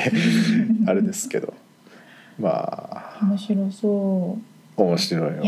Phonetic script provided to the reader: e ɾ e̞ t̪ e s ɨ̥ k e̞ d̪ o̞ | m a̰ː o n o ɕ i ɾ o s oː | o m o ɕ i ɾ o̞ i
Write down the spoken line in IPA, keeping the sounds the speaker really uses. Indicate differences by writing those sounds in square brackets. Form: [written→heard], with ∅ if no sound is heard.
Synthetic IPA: [e→a] ɾ e̞ [t̪→d̪] e s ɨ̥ k e̞ d̪ o̞ | m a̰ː o [n→m] o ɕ i ɾ o s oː | o m o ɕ i ɾ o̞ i